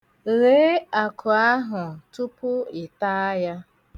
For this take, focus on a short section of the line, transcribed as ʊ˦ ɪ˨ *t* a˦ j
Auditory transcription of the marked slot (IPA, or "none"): t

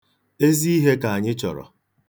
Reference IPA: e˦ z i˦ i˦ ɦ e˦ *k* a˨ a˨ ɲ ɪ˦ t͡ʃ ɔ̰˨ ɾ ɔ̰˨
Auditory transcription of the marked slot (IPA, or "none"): k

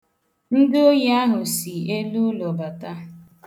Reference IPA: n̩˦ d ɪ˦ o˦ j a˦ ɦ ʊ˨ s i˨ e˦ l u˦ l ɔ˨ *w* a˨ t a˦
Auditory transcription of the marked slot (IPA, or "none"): b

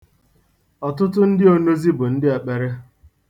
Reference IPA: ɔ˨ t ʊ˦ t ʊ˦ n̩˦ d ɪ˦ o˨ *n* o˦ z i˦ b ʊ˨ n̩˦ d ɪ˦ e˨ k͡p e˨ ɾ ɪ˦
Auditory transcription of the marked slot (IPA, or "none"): n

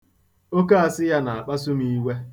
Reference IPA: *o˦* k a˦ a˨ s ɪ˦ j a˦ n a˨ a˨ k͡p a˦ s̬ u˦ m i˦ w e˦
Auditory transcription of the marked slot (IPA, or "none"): o˦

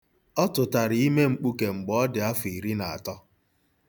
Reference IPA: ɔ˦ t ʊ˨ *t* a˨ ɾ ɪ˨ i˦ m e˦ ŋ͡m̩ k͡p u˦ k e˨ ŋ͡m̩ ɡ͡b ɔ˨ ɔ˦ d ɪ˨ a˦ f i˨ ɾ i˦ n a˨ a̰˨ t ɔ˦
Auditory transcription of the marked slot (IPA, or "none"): t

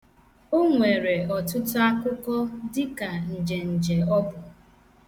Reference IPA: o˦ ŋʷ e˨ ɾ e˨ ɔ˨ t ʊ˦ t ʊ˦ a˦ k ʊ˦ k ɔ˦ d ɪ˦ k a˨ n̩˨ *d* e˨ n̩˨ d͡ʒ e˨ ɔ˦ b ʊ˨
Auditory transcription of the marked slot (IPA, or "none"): d͡ʒ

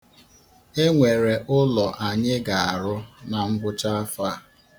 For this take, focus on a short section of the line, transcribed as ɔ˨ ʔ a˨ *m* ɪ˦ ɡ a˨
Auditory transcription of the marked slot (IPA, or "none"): ɲ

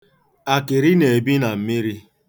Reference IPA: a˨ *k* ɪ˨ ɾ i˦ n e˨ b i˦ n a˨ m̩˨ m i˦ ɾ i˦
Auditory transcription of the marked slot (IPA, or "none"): k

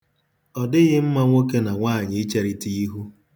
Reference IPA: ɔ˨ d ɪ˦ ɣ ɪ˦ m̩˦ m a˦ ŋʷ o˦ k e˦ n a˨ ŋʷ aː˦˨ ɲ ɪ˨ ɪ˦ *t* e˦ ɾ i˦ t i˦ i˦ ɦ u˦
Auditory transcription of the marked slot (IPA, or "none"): t͡ʃ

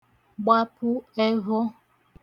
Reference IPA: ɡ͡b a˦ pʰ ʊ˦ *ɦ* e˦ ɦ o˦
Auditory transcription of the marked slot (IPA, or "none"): none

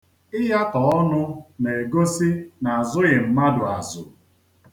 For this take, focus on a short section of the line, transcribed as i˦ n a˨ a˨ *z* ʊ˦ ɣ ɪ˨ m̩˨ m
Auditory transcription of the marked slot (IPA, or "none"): z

